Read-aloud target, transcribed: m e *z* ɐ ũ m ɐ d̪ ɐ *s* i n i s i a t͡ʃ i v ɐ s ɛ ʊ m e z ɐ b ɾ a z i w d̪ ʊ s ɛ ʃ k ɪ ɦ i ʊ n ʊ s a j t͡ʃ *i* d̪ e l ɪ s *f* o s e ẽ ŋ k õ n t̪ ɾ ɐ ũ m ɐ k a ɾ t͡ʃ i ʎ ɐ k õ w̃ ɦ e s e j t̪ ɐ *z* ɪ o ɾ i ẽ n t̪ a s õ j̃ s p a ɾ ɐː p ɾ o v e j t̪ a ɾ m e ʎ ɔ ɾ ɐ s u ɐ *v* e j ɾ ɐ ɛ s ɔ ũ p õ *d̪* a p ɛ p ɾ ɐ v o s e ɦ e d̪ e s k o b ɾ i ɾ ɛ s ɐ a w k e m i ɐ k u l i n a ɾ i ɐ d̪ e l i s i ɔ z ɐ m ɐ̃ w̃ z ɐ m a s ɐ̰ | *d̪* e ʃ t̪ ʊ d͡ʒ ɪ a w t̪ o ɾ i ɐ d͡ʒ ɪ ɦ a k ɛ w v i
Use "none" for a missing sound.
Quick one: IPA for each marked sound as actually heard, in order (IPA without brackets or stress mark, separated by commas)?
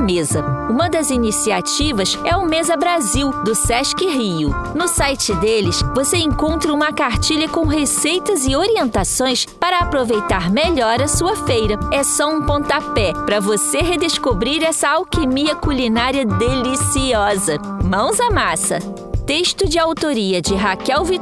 z, z, ɪ, v, z, f, t̪, t̪